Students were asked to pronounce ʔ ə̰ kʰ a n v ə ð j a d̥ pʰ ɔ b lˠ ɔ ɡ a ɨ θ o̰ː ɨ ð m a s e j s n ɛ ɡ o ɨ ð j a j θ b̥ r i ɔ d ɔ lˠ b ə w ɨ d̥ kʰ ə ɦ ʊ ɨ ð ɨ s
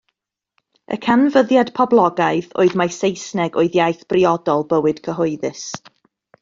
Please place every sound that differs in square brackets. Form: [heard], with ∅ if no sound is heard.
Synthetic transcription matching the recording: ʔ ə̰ kʰ a n v ə ð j a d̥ pʰ ɔ b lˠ ɔ ɡ a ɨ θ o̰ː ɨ ð m a s e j s n ɛ ɡ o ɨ ð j a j θ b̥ r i ɔ d ɔ lˠ b ə w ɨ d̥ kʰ ə ɦ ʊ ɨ ð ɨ s

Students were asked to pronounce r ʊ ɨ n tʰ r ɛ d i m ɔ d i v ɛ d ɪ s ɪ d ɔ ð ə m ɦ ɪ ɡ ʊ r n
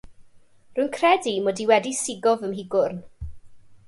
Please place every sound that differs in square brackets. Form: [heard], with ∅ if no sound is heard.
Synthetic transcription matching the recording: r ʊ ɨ n [kʰ] r ɛ d i m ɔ d i [w] ɛ d [i] s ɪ [ɡ] ɔ [v] ə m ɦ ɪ ɡ ʊ r n

